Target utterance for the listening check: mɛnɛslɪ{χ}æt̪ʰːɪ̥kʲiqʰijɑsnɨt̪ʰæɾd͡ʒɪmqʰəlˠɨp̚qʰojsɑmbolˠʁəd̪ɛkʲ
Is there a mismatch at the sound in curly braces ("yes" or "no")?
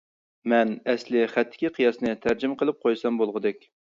no